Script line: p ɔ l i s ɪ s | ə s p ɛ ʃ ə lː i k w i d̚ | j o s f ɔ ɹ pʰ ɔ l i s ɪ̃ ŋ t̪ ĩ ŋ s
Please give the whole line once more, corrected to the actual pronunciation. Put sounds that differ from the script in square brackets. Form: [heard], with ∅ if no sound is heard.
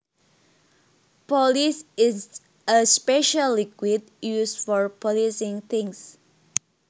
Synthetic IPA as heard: p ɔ l i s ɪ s | ə s p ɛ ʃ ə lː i k w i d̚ | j [u] s f ɔ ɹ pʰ ɔ l i s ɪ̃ ŋ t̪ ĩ ŋ s

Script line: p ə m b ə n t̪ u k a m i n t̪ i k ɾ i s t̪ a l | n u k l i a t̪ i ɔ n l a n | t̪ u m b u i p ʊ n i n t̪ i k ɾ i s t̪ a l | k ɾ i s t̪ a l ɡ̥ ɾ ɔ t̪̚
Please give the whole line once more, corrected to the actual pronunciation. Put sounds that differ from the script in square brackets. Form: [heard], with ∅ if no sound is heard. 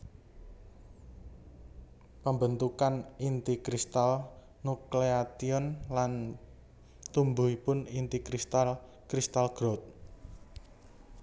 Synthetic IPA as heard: p ə m b ə n t̪ u k a [n] i n t̪ i k ɾ i s t̪ a l | n u k l [e] a t̪ i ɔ n l a n | t̪ u m b u i p ʊ n i n t̪ i k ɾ i s t̪ a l | k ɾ i s t̪ a l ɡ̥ ɾ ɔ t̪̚

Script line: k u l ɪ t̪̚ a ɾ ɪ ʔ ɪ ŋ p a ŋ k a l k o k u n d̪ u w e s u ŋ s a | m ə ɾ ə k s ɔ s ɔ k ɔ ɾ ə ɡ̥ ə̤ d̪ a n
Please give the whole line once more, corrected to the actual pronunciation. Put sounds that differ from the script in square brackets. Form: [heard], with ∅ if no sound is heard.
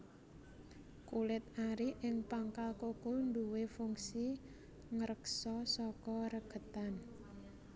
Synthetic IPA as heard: k u l ɪ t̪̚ a ɾ [i] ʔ ɪ ŋ p a ŋ k a l k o k u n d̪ u w e [f] u ŋ s [i] | [ŋ] ə ɾ ə k s ɔ s ɔ k ɔ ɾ ə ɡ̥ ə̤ [t̪] a n

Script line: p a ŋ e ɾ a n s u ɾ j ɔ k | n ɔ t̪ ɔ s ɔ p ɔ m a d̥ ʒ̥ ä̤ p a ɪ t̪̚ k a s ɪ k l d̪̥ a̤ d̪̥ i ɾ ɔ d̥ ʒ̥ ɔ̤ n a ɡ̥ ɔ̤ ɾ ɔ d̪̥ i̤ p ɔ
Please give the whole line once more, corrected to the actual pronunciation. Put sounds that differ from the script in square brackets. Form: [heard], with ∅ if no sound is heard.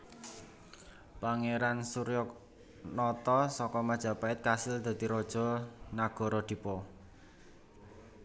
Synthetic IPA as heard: p a ŋ e ɾ a n s u ɾ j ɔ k | n ɔ t̪ ɔ s ɔ [k] ɔ m a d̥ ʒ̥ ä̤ p a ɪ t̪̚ k a s ɪ [∅] l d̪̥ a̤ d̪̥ i ɾ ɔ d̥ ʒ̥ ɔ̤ n a ɡ̥ ɔ̤ ɾ ɔ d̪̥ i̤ p ɔ

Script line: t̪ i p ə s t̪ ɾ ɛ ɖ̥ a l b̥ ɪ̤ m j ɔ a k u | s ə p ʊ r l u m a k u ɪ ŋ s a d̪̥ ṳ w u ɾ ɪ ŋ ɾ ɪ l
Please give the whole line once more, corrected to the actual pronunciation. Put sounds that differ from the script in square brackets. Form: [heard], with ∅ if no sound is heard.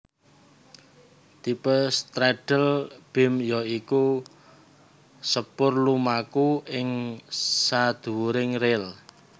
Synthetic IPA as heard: t̪ i p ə s t̪ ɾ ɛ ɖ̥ [ə] l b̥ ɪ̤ m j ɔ [i] k u | s ə p ʊ r l u m a k u ɪ ŋ s a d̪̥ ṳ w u ɾ ɪ ŋ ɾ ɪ l

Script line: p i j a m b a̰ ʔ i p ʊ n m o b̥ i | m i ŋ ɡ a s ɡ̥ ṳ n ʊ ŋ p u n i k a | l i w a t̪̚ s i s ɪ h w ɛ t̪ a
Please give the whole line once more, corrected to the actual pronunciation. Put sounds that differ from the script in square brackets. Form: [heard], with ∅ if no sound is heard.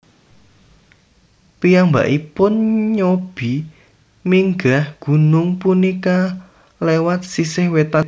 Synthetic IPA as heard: p i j a [ŋ] b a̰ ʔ i p ʊ n [ɲ] o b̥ i | m i ŋ ɡ a [h] ɡ̥ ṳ n ʊ ŋ p u n i k a | l [e] w a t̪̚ s i s ɪ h w [e] t̪ a

